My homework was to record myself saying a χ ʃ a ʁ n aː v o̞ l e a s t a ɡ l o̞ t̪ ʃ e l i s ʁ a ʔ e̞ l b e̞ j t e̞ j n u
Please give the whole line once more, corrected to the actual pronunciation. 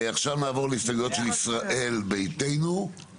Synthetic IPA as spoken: a χ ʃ a v n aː v o̞ l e i s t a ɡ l o̞ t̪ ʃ e l i s ʁ a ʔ e̞ l b e̞ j t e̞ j n u